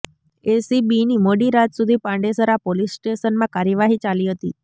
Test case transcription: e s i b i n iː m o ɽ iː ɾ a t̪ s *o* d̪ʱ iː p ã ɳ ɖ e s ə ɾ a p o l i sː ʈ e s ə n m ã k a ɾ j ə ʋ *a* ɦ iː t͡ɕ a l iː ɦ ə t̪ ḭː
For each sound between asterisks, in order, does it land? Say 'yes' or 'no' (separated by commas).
no, yes